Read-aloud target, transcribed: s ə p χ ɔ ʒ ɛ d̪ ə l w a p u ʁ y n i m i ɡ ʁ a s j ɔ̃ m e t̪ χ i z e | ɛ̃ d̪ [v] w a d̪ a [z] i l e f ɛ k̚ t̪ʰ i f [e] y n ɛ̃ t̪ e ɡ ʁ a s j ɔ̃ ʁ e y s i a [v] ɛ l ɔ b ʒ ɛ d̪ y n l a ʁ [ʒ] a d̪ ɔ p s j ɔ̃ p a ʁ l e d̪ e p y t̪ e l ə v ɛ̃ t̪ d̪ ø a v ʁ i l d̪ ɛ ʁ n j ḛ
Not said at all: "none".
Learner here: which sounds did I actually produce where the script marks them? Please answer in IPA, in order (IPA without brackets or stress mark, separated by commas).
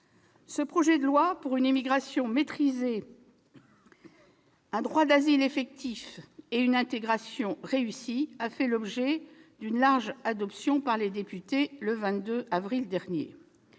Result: ʁ, z, e, f, ʒ